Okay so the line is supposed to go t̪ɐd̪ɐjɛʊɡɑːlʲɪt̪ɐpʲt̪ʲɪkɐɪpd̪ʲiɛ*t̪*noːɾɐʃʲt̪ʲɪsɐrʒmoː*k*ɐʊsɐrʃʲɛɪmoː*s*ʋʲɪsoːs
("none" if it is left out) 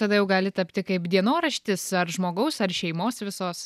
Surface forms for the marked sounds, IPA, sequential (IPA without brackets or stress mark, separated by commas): none, ɡ, s